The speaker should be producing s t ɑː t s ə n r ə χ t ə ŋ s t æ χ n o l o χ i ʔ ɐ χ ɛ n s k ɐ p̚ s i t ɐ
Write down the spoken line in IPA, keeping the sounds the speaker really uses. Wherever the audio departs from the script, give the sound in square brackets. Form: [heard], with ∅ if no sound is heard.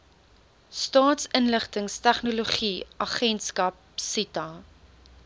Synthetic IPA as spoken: s t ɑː t s ə n [l] ə χ t ə ŋ s t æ χ n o l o χ i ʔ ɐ χ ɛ n s k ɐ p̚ s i t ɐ

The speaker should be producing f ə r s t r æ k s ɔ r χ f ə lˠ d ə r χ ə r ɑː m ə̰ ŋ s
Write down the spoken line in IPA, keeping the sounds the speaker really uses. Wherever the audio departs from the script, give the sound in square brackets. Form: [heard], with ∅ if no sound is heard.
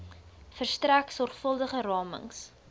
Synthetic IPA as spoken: f ə r s t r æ k s ɔ r χ f ə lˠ d ə [∅] χ ə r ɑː m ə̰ ŋ s

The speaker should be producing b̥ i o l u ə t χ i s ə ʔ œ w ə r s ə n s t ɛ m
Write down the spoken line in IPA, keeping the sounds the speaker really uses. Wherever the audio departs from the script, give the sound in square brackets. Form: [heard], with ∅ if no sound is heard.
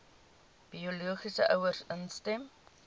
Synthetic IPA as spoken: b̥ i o l u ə [∅] χ i s ə ʔ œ w ə r s ə n s t ɛ m

